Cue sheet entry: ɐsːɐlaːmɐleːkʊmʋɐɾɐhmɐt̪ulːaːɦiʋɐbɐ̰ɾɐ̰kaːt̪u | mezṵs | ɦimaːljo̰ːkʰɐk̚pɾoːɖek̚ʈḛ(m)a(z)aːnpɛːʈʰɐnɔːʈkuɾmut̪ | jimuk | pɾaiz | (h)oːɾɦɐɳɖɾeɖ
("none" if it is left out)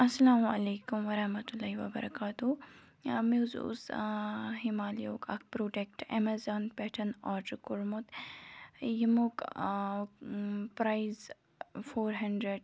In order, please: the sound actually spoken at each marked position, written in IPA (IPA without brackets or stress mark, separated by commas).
m, z, f